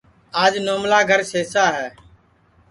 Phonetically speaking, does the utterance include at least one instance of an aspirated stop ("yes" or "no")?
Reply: no